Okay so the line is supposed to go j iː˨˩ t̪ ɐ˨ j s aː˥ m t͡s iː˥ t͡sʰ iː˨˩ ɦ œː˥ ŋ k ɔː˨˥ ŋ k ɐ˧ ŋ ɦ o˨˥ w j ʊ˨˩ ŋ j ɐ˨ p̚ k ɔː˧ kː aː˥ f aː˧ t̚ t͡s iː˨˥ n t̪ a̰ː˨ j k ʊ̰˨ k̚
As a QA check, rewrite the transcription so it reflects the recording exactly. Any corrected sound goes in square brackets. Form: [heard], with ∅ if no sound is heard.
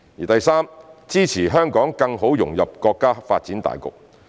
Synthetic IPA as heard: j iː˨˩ t̪ ɐ˨ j s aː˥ m t͡s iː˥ t͡sʰ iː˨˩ ɦ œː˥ ŋ k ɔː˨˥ ŋ k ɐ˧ ŋ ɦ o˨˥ w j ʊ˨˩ ŋ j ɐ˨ p̚ k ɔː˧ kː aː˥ f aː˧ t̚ t͡s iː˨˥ n t̪ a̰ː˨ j k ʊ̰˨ k̚

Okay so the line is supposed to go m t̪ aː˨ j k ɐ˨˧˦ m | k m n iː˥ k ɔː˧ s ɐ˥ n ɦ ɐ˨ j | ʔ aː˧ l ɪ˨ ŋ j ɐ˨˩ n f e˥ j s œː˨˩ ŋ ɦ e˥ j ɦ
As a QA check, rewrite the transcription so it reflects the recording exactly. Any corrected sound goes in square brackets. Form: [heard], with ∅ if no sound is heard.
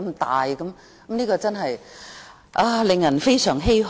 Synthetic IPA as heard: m t̪ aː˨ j k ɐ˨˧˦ m | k m n iː˥ k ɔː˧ [t͡s] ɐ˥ n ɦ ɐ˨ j | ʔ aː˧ l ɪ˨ ŋ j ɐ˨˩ n f e˥ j s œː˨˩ ŋ ɦ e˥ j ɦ

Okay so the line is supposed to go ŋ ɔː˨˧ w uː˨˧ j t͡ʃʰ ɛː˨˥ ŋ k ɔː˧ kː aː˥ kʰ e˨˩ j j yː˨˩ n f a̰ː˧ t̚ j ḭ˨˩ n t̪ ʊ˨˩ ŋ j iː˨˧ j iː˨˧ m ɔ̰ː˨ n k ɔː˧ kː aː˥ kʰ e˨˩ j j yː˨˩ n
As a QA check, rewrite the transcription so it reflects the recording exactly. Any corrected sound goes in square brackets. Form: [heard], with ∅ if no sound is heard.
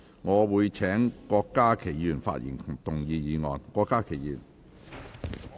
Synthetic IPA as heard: ŋ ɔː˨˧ w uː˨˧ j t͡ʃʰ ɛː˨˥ ŋ k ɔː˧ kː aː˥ kʰ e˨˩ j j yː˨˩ n f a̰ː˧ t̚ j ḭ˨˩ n t̪ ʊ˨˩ ŋ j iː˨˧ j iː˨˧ [ŋ] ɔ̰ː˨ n k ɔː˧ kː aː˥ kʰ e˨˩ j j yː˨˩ n

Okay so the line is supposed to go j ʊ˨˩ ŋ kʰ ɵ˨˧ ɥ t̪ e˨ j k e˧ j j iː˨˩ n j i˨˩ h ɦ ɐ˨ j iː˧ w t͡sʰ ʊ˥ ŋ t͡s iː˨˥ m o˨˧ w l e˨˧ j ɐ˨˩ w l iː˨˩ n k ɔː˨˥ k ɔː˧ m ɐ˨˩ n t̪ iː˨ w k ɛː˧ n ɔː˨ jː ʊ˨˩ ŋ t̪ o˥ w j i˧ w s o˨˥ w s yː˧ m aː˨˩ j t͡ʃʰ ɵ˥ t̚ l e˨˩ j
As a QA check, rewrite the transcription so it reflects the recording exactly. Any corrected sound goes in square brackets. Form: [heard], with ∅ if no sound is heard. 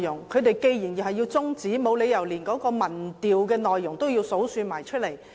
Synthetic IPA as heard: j ʊ˨˩ ŋ kʰ ɵ˨˧ ɥ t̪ e˨ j k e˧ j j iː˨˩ n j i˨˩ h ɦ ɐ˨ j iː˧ w [t͡s] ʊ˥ ŋ t͡s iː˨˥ m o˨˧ w l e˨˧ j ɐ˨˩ w l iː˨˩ n k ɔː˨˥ k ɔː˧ m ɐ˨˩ n t̪ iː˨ w k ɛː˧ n ɔː˨ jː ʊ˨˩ ŋ t̪ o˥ w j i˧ w s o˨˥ w s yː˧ m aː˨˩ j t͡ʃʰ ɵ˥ t̚ l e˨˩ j

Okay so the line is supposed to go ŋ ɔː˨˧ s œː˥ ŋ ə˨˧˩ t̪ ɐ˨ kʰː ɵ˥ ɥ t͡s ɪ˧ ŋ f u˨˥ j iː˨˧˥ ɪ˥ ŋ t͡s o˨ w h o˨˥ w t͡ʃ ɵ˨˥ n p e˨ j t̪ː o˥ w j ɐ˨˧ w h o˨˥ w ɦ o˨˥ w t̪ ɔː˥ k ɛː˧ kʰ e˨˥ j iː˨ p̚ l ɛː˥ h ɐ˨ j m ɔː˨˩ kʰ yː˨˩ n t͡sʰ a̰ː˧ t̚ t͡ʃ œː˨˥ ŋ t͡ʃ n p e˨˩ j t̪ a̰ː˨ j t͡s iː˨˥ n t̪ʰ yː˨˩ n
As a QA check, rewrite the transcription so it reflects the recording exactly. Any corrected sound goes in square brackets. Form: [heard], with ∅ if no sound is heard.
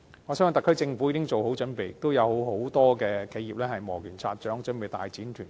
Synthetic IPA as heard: ŋ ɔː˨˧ s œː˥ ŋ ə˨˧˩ t̪ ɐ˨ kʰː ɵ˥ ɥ t͡s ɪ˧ ŋ f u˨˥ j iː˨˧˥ ɪ˥ ŋ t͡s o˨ w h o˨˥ w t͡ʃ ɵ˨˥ n p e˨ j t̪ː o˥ w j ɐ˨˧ w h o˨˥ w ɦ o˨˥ w t̪ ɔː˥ k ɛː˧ kʰ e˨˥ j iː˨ p̚ l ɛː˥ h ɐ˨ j m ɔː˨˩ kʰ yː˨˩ n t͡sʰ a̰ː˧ t̚ t͡ʃ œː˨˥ ŋ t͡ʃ n p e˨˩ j t̪ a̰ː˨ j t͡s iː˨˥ n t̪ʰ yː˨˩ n

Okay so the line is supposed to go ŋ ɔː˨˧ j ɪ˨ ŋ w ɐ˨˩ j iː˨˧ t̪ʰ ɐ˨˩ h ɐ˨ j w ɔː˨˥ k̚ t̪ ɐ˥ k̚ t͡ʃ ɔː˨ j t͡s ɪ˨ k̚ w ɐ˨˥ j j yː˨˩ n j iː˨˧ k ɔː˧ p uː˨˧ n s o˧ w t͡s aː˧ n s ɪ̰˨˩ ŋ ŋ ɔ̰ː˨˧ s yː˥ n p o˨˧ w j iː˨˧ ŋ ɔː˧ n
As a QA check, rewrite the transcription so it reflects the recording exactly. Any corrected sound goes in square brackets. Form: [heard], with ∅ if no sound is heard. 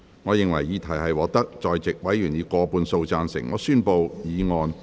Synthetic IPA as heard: ŋ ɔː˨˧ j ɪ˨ ŋ w ɐ˨˩ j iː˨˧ t̪ʰ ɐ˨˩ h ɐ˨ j w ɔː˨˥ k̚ t̪ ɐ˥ k̚ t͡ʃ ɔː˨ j t͡s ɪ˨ k̚ w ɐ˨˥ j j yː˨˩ n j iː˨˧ k ɔː˧ p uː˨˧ n s o˧ w t͡s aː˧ n s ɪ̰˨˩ ŋ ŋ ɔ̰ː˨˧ s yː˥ n p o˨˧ w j iː˨˧ ŋ ɔː˧ n

